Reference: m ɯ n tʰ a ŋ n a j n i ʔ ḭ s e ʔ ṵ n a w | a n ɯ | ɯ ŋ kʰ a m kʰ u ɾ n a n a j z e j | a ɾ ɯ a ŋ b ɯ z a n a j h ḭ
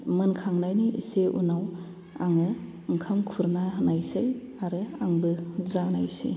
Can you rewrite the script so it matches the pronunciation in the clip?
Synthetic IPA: m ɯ n kʰ a ŋ n a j n i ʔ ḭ s e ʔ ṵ n a w | a ŋ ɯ | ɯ ŋ kʰ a m kʰ u ɾ n a n a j s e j | a ɾ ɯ a ŋ b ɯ z a n a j s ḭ